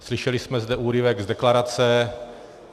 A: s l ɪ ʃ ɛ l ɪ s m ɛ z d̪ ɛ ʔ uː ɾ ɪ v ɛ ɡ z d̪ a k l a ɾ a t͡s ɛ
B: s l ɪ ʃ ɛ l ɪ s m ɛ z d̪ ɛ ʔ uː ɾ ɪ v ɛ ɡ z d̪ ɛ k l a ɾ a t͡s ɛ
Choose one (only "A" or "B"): B